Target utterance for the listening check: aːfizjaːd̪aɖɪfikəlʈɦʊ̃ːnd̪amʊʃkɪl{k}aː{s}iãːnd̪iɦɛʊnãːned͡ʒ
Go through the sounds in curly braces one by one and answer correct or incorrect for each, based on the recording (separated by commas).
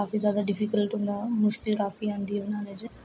correct, incorrect